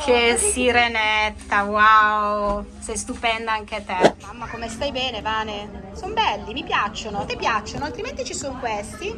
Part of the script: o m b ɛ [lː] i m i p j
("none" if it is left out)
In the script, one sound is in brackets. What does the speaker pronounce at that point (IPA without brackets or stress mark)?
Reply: lː